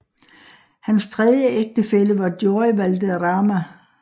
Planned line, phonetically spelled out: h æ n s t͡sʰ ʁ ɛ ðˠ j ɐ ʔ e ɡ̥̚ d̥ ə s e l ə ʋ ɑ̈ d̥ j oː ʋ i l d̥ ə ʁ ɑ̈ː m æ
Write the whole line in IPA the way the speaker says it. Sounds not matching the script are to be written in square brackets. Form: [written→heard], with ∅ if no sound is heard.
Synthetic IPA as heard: h æ n s t͡sʰ ʁ ɛ ðˠ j [ɐ→ə] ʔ e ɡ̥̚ d̥ ə [s→f] e l ə ʋ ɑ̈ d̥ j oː ʋ [i→æ] l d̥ ə ʁ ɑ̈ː m æ